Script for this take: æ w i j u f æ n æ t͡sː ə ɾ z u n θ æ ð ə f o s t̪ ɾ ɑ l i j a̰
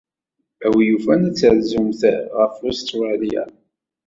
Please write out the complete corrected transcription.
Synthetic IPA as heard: æ w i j u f æ n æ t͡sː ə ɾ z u m θ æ ʁ ə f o s t̪ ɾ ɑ l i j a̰